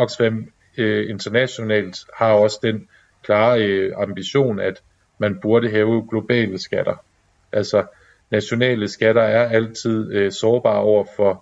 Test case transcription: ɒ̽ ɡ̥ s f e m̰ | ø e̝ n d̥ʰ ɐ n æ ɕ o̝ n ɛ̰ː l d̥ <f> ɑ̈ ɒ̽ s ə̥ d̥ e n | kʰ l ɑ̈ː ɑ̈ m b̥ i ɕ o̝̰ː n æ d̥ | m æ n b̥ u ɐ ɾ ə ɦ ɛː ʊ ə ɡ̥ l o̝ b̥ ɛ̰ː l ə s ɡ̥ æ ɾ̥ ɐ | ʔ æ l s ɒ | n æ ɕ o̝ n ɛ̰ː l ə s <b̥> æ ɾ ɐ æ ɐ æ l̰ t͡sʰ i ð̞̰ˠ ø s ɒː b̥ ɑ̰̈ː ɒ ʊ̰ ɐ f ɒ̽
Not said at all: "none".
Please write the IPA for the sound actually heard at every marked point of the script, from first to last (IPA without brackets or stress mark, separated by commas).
h, ɡ̥